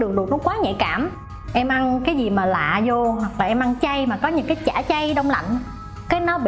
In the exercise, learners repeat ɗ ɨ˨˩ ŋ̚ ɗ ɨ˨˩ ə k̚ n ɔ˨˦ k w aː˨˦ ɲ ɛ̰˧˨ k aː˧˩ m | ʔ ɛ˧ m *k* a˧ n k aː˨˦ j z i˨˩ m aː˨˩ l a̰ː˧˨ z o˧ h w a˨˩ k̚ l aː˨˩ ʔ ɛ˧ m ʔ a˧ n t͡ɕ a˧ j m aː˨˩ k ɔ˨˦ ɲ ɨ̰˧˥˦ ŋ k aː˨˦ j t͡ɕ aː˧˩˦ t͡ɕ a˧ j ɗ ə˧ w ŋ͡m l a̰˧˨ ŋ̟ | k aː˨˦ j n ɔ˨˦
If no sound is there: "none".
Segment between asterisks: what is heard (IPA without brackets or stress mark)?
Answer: ʔ